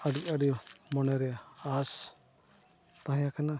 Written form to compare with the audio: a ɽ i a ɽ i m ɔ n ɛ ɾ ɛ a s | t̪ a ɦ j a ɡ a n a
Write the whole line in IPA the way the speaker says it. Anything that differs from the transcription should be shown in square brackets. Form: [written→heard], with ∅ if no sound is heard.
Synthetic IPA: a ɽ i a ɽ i m ɔ n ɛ ɾ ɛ a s | t̪ a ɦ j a [ɡ→k] a n a